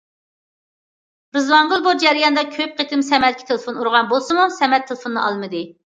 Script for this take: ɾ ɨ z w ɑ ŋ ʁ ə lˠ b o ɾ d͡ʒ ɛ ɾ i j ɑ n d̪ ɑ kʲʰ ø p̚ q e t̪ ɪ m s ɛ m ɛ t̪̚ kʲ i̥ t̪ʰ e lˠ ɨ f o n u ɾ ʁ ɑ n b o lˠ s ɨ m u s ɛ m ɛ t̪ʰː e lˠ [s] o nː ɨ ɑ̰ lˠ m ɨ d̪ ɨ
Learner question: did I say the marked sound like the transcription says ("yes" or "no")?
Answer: no